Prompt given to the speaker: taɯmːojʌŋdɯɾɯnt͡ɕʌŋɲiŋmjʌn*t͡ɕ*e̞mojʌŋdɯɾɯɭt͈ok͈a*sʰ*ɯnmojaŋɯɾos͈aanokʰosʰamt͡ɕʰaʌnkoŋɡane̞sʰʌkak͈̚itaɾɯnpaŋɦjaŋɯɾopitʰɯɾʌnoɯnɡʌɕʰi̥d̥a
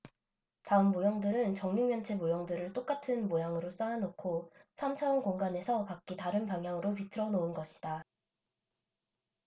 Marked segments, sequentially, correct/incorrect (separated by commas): incorrect, incorrect